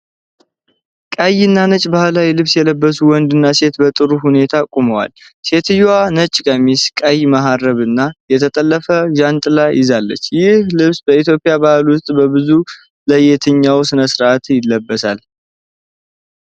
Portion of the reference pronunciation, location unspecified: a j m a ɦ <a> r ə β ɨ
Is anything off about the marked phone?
no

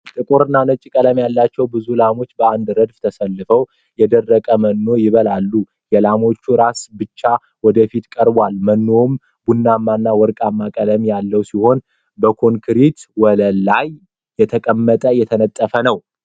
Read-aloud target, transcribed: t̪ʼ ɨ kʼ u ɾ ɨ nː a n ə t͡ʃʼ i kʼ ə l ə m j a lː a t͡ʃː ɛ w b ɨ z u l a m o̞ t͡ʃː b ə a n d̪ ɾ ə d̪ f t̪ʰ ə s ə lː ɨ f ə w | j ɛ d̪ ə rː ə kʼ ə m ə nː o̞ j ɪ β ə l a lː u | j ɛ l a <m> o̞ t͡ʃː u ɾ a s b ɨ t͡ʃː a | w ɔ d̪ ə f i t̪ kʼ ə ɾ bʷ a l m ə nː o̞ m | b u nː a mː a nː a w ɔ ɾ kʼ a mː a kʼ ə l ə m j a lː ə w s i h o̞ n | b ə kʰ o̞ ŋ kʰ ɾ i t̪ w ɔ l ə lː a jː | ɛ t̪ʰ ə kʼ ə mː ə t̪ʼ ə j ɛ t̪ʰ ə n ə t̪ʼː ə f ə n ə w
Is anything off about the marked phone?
no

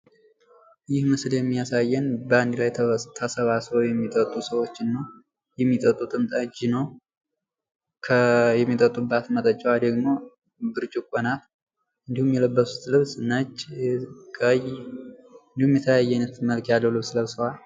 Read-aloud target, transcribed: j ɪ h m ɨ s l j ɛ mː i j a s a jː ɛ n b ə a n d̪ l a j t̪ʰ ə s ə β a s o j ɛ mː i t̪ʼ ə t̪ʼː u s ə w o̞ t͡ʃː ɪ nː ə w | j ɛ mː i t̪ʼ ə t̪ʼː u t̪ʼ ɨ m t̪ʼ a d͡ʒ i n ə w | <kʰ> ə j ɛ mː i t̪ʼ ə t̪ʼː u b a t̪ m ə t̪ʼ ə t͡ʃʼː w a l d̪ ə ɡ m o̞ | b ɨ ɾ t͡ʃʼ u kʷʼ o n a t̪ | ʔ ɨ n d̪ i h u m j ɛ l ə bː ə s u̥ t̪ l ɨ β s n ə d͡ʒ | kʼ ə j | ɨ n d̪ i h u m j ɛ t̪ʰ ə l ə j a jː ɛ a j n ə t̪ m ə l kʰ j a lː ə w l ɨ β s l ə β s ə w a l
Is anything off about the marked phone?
no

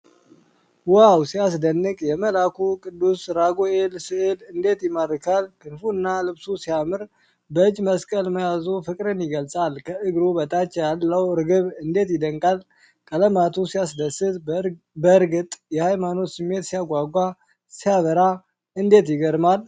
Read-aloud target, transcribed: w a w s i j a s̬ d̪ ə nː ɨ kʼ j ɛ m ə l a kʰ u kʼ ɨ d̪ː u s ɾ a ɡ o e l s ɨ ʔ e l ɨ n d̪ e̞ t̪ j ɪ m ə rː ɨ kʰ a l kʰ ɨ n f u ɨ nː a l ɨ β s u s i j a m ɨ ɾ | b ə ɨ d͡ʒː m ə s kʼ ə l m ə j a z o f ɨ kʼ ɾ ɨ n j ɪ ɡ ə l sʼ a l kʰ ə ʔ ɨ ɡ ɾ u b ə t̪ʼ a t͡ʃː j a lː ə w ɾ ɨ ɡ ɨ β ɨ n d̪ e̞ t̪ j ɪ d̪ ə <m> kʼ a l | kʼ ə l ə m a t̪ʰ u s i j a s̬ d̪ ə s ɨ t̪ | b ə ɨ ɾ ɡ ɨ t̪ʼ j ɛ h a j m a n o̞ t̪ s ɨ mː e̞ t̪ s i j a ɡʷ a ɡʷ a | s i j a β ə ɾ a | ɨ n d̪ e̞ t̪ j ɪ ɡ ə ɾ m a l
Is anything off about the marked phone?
yes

